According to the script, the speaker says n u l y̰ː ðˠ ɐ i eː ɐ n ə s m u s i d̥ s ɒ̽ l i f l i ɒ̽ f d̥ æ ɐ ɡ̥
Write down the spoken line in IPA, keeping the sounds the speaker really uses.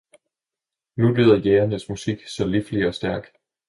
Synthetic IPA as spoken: n u l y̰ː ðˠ ɐ j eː ɐ n ə s m u s i ɡ̥ s ɒ̽ l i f l i ɒ̽ s d̥ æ ɐ ɡ̥